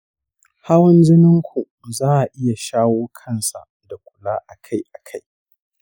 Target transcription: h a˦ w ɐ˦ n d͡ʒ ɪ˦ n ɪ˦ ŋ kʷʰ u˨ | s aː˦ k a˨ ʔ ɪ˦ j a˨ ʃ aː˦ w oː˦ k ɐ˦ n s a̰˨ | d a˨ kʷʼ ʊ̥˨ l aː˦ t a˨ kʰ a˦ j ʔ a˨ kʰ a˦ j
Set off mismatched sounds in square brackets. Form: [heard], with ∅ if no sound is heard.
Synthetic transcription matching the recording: h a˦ w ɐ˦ n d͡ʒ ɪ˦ n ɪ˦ ŋ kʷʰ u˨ | [z] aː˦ [ʔ] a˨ ʔ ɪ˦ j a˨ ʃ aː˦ w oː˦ [kʰ] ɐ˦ n s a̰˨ | d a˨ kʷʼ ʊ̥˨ l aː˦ [ʔ] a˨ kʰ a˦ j ʔ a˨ kʰ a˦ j